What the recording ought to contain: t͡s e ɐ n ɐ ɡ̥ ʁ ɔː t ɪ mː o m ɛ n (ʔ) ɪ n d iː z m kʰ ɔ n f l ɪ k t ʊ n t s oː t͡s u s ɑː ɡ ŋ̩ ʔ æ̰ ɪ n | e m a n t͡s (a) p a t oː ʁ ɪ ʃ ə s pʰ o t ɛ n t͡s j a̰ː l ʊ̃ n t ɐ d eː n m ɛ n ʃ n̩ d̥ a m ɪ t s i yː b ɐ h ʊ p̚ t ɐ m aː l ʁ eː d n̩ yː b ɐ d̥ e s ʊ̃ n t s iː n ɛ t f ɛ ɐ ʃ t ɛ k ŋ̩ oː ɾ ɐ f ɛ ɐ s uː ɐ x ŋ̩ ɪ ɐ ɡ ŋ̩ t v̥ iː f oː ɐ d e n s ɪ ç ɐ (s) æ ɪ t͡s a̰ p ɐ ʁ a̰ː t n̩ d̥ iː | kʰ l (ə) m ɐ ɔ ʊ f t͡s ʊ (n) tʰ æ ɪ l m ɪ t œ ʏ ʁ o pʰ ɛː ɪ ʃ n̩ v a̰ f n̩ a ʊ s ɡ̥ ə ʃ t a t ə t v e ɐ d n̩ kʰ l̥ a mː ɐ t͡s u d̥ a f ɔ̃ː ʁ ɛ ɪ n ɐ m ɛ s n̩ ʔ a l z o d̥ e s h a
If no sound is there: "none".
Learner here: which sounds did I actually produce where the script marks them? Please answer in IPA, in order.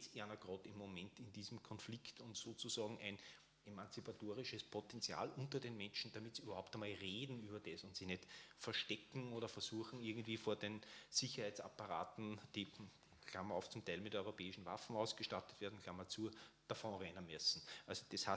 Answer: t, i, h, a, m

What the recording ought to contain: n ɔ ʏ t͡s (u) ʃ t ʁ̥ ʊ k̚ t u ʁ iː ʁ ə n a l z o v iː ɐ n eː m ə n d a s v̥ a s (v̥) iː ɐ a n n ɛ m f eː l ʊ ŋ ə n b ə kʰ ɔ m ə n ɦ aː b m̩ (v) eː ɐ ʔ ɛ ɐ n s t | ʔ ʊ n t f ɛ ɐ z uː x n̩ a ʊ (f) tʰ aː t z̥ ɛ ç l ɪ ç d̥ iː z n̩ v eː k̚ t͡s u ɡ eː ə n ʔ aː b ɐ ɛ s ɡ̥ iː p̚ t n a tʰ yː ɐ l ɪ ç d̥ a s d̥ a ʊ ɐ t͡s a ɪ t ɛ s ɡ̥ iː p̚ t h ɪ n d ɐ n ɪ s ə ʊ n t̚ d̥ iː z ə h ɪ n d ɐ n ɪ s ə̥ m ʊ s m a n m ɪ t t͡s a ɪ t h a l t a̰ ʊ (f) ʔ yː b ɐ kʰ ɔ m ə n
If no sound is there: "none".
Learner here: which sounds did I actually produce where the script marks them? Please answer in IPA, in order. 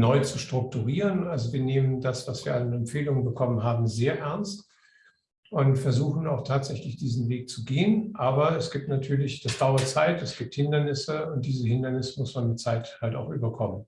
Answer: u, v̥, z, x, x

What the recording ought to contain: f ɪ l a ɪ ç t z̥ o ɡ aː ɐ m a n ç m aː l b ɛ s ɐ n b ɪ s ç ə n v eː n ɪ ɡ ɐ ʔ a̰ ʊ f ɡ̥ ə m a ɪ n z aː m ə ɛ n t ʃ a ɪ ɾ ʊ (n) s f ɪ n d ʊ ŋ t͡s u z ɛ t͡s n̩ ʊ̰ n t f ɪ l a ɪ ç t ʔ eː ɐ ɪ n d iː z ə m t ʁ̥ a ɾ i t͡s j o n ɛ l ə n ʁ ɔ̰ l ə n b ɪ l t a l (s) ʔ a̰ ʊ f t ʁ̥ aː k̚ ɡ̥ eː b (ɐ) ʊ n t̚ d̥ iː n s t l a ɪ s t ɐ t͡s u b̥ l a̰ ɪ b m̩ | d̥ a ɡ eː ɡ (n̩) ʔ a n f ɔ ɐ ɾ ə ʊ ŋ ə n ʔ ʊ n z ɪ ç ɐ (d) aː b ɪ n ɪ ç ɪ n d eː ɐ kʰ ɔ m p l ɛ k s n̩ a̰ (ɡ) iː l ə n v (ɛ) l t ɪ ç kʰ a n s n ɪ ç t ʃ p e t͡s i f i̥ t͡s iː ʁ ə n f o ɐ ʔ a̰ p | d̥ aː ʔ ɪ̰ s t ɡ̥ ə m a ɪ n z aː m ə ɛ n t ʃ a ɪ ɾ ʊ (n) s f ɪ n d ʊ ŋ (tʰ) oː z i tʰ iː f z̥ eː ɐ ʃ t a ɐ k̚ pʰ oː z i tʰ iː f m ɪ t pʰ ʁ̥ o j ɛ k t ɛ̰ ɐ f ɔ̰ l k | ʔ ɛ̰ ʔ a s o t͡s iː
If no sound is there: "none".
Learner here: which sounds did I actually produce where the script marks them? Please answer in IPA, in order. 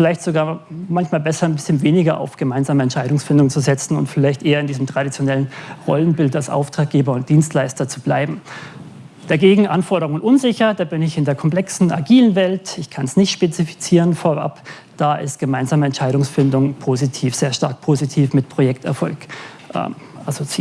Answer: ŋ, s, ɐ, ŋ̩, d, ɡ, ɛ, ŋ, pʰ

